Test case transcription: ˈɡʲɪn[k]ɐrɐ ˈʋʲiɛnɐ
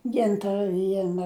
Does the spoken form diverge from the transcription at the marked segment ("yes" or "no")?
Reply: yes